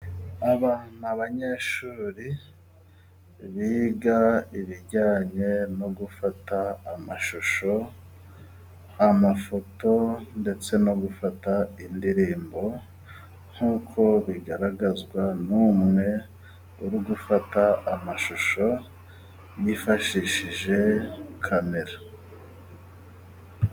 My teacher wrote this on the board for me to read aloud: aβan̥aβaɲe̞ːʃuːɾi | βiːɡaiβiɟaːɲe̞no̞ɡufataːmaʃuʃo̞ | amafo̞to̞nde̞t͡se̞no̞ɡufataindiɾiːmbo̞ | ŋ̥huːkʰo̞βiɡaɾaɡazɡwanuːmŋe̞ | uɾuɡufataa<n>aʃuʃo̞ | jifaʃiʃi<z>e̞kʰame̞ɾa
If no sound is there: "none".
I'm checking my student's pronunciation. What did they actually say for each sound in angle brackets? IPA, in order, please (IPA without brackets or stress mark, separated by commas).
m, ʒ